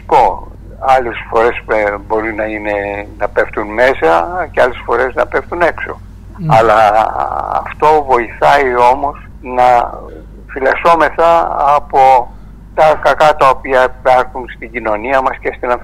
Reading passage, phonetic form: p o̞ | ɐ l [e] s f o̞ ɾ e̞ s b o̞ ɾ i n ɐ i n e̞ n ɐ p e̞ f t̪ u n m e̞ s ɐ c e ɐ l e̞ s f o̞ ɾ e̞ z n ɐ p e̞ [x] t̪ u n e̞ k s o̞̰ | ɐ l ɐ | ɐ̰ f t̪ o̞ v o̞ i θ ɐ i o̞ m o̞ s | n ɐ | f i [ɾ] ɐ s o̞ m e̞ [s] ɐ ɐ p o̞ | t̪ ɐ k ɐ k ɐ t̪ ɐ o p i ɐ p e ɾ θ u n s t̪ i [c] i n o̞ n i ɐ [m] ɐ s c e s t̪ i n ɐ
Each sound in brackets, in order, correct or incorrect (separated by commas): correct, incorrect, incorrect, incorrect, incorrect, correct